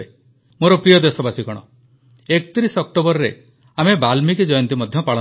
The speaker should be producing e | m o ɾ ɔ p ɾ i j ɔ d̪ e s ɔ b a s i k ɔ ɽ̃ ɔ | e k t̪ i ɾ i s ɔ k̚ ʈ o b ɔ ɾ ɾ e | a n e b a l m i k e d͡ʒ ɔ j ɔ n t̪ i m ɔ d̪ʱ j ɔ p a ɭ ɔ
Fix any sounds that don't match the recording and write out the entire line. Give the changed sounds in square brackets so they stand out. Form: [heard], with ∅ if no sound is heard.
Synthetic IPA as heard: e | m o ɾ ɔ p ɾ i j ɔ d̪ e s ɔ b a s i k ɔ ɽ̃ ɔ | e k t̪ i ɾ i s ɔ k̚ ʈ o b ɔ ɾ ɾ e | a [m] e b a l m i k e d͡ʒ ɔ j ɔ n t̪ i m ɔ d̪ʱ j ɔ p a ɭ ɔ

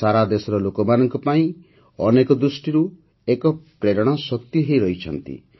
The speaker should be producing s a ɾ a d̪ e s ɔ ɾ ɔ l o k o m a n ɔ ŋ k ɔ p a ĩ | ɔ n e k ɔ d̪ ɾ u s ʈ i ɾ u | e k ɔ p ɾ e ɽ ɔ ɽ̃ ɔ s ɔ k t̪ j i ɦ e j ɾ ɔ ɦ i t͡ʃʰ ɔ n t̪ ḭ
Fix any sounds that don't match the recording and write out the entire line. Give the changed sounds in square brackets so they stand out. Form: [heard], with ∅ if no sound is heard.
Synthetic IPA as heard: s a ɾ a d̪ e s ɔ ɾ ɔ l o k [ɔ] m a n ɔ ŋ k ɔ p a ĩ | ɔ n e k ɔ d̪ ɾ u s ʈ i ɾ u | e k ɔ p ɾ e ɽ ɔ ɽ̃ ɔ s ɔ k t̪ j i ɦ e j ɾ ɔ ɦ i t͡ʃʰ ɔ n t̪ ḭ

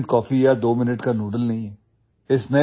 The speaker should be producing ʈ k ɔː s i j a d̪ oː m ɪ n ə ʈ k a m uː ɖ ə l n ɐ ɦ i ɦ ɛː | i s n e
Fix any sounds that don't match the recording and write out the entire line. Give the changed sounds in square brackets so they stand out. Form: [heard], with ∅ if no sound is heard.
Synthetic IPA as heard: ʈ k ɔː [f] i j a d̪ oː m ɪ n ə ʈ k a [n] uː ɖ ə l n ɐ ɦ [ĩ] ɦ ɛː | [ɪ] s n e

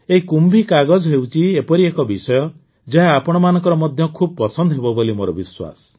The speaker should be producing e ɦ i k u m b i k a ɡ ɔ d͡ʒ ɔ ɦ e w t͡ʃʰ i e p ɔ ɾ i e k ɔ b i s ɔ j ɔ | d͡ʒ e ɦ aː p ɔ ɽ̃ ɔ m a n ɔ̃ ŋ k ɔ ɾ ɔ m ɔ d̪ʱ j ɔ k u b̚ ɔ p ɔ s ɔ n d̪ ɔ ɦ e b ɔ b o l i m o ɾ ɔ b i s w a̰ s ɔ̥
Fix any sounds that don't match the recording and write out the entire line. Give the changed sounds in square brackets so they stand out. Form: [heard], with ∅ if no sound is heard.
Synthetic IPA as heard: e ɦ i k u m b i k a ɡ ɔ d͡ʒ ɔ ɦ e w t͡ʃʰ i e p ɔ ɾ i e k ɔ b i s ɔ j ɔ | d͡ʒ e ɦ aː p ɔ ɽ̃ ɔ m a n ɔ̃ ŋ k ɔ ɾ ɔ m ɔ d̪ʱ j ɔ [kʰ] u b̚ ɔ p ɔ s ɔ n d̪ ɔ ɦ e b ɔ b o l i m o ɾ ɔ b i s w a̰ s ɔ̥

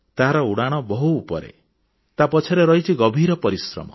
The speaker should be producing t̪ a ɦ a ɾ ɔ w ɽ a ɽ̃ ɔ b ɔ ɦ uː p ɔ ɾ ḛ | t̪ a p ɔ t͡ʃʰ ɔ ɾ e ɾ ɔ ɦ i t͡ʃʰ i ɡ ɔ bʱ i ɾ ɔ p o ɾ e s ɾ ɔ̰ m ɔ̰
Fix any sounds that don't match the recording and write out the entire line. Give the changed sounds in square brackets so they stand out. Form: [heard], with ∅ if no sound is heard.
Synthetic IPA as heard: t̪ a ɦ a ɾ ɔ [u] ɽ a ɽ̃ ɔ b ɔ ɦ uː p ɔ ɾ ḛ | t̪ a p ɔ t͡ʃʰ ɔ ɾ e ɾ ɔ ɦ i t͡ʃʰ i ɡ ɔ bʱ i ɾ ɔ p [ɔ] ɾ [i] s ɾ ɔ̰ m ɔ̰

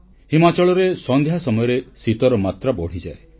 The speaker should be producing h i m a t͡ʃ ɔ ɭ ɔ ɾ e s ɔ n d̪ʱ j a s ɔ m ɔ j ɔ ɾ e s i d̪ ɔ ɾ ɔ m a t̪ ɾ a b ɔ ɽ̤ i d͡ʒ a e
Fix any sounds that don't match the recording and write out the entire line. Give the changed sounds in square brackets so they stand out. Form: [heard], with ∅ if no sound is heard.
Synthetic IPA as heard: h i m a t͡ʃ ɔ ɭ ɔ ɾ e s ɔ n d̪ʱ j a s ɔ m ɔ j ɔ ɾ e s i [t̪] ɔ ɾ ɔ m a t̪ ɾ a b ɔ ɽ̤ i d͡ʒ a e

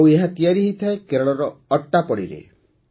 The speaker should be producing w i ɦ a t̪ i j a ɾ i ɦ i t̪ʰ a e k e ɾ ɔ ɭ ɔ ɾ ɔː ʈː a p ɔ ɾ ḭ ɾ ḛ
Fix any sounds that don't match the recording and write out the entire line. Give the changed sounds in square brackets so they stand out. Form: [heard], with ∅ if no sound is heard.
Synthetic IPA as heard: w [e] ɦ a t̪ i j a ɾ i ɦ i t̪ʰ a e k e ɾ ɔ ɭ ɔ ɾ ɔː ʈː a p ɔ [ɽ] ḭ ɾ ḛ

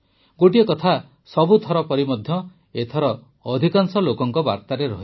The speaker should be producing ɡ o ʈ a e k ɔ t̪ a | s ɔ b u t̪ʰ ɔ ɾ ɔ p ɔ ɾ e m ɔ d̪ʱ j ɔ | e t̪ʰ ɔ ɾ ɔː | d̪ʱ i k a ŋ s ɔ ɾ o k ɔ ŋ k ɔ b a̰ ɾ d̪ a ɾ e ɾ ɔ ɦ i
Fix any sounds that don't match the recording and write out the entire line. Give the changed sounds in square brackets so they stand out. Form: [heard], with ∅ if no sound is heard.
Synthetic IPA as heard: ɡ o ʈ [i] e k ɔ [t̪ʰ] a | s ɔ b u t̪ʰ ɔ ɾ ɔ p ɔ ɾ [i] m ɔ d̪ʱ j ɔ | e t̪ʰ ɔ ɾ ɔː | d̪ʱ i k a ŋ s ɔ [l] o k ɔ ŋ k ɔ b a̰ ɾ [t̪] a ɾ e ɾ ɔ ɦ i

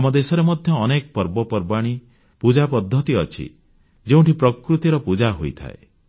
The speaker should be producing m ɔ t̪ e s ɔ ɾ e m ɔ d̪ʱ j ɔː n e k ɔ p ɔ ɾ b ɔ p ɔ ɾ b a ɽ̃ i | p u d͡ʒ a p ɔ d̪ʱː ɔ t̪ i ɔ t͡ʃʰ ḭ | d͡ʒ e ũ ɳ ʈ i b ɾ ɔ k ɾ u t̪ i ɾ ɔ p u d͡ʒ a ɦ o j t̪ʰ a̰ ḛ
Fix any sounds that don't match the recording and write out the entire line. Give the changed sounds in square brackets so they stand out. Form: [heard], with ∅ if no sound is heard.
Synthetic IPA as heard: m ɔ [d̪] e s ɔ ɾ e m ɔ d̪ʱ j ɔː n e k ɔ p ɔ ɾ b ɔ p ɔ ɾ b a ɽ̃ i | p u d͡ʒ a p ɔ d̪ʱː ɔ t̪ i ɔ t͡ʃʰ ḭ | d͡ʒ e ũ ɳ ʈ i [p] ɾ ɔ k ɾ u t̪ i ɾ ɔ p u d͡ʒ a ɦ o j t̪ʰ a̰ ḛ

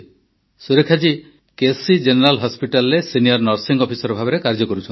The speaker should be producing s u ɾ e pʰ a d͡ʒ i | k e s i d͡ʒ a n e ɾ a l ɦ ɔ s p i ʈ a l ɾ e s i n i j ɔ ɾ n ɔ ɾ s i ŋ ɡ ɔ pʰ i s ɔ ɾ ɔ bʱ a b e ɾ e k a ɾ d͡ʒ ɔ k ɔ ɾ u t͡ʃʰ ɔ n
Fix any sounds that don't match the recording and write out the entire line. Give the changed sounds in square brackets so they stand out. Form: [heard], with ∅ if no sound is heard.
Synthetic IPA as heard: s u ɾ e [kʰ] a d͡ʒ i | k e s i d͡ʒ [e] n e ɾ a l ɦ ɔ s p i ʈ a l ɾ e s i n i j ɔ ɾ n ɔ ɾ s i ŋ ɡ ɔ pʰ i s ɔ ɾ ɔ bʱ a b e ɾ e k a ɾ d͡ʒ ɔ k ɔ ɾ u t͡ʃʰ ɔ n

